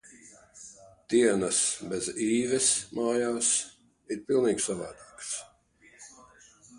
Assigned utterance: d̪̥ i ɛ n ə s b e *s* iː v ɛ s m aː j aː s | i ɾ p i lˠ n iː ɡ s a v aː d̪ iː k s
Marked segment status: incorrect: z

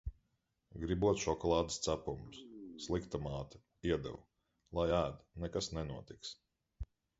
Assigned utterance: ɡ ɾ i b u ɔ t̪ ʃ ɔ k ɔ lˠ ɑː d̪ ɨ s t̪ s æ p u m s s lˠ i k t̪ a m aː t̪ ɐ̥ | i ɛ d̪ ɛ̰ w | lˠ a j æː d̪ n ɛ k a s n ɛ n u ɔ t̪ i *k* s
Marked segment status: correct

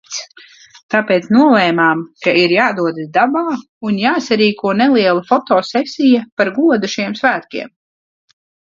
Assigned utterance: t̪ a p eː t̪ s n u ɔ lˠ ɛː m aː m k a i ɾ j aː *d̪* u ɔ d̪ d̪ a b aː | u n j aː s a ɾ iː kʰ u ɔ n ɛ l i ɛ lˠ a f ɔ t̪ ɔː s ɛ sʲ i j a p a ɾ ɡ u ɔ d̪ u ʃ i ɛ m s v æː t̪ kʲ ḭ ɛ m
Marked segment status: correct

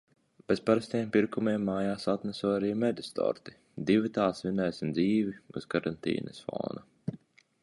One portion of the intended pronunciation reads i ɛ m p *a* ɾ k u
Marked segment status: incorrect: i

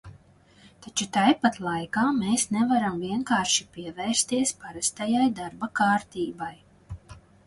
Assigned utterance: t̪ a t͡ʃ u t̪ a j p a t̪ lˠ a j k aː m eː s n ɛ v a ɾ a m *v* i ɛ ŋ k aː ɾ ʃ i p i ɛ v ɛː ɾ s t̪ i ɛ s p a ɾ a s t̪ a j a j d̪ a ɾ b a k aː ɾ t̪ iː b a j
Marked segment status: correct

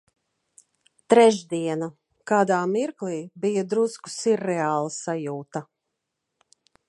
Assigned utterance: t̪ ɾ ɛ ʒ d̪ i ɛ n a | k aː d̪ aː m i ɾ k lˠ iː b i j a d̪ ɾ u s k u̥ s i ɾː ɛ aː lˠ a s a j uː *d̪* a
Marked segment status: incorrect: t̪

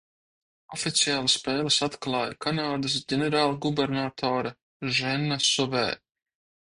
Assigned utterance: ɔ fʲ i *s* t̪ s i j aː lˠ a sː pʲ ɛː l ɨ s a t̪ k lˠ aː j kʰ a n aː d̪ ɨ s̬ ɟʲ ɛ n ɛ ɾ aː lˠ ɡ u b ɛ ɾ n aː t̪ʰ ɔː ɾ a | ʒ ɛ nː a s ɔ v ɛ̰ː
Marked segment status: incorrect: none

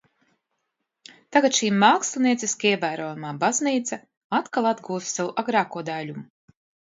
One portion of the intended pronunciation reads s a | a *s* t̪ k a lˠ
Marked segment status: incorrect: none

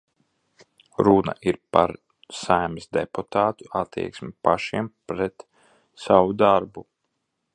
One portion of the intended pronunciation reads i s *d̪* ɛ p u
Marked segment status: correct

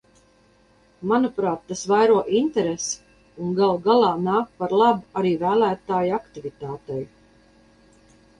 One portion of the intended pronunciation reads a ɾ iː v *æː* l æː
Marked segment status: correct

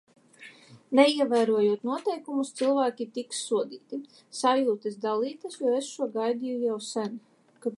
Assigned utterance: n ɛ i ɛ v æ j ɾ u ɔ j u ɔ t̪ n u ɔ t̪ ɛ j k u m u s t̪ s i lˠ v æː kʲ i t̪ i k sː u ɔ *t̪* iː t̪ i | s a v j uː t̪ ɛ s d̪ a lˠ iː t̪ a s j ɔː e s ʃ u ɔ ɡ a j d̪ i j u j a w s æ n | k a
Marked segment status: incorrect: d̪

